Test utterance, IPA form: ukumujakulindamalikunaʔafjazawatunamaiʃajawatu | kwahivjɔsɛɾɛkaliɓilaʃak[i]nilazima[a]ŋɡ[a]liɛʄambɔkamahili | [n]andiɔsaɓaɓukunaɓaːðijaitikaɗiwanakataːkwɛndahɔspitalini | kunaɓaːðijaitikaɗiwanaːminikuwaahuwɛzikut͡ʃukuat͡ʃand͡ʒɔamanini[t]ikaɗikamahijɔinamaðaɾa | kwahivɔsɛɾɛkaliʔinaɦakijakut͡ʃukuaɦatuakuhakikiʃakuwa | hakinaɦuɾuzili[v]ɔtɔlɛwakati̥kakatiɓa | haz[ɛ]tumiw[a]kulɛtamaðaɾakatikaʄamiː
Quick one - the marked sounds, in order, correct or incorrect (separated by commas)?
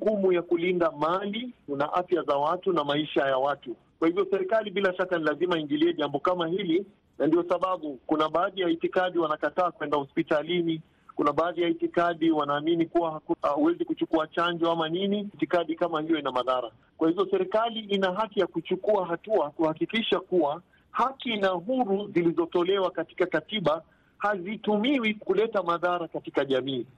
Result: incorrect, incorrect, incorrect, correct, correct, incorrect, incorrect, incorrect